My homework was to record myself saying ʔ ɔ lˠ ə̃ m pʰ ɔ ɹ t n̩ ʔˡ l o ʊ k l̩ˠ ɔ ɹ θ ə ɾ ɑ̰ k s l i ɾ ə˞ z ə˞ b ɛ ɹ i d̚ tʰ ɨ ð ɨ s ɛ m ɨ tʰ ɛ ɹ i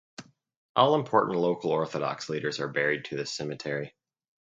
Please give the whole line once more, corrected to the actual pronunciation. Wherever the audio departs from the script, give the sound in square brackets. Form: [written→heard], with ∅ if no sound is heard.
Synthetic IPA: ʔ ɔ lˠ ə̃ m pʰ ɔ ɹ [t→ʔ] n̩ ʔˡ l o ʊ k l̩ˠ ɔ ɹ θ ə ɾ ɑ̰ k s l i ɾ ə˞ z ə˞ b ɛ ɹ i d̚ tʰ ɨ ð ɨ s ɛ m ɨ tʰ ɛ ɹ i